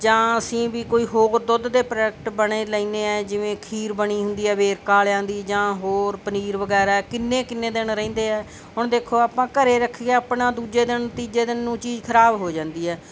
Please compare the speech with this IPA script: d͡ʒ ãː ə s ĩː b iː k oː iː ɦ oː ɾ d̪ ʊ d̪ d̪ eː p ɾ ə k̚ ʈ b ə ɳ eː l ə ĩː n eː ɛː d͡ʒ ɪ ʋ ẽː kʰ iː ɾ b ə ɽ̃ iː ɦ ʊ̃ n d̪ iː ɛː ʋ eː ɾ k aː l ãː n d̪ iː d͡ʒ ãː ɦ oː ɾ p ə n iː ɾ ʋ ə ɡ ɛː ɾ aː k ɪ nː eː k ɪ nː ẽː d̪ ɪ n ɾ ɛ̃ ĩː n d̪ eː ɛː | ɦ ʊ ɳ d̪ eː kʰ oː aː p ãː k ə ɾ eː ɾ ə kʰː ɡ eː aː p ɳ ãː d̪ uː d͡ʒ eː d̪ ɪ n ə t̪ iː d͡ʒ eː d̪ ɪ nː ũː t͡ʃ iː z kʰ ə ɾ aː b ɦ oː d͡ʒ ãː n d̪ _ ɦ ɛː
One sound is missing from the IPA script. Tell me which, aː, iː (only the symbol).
iː